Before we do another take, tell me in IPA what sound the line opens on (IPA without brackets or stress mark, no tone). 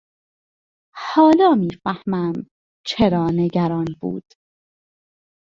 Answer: h